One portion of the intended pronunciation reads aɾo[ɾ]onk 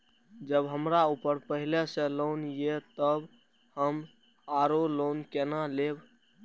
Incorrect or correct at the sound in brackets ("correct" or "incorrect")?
incorrect